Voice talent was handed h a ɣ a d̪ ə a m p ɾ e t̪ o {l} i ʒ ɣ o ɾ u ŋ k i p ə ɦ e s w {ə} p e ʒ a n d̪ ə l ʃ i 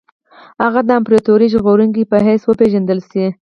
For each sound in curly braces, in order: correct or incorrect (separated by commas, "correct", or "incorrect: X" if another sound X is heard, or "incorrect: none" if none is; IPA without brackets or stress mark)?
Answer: incorrect: ɾ, correct